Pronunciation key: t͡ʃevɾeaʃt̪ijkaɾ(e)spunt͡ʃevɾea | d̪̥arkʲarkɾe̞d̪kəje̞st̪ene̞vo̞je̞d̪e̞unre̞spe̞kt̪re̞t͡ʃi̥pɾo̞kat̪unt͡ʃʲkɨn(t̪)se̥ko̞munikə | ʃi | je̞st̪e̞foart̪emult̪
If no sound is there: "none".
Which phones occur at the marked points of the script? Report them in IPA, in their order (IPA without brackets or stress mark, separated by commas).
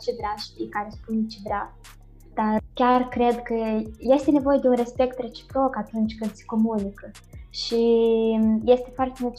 e, d̪